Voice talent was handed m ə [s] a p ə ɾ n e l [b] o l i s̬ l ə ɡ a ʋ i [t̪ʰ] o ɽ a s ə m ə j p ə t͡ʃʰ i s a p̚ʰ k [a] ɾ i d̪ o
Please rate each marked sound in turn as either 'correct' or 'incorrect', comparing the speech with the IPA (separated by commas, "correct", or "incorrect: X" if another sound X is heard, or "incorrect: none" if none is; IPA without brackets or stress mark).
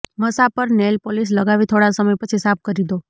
correct, incorrect: p, correct, incorrect: ə